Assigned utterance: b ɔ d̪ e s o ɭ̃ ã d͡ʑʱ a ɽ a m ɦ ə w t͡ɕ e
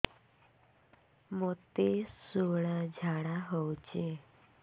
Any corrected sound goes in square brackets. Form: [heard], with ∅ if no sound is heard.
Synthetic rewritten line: [m] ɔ [t̪] e s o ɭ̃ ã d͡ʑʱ a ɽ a [∅] ɦ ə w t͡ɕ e